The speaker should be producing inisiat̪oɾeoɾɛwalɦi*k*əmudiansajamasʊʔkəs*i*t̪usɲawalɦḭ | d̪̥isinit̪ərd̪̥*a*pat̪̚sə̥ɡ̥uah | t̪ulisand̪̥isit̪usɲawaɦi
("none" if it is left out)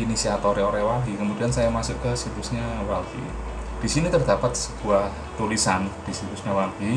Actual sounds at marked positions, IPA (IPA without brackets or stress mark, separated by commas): k, i, a